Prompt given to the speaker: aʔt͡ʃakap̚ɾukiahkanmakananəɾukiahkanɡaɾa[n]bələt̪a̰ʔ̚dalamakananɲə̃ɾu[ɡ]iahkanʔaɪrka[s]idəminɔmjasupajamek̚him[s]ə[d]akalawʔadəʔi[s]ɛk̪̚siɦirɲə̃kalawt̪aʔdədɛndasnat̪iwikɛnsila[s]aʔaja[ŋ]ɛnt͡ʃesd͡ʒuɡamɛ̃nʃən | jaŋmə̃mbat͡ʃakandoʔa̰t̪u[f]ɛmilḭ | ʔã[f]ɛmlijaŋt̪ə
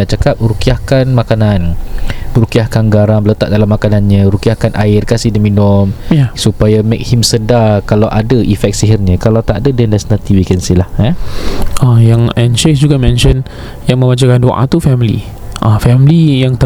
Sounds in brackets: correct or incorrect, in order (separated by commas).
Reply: incorrect, incorrect, correct, correct, correct, incorrect, incorrect, correct, correct, correct